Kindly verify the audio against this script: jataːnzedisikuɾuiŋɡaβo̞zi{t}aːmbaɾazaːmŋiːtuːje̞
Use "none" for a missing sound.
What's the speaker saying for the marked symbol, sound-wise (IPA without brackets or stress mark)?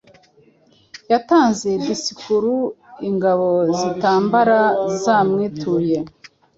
t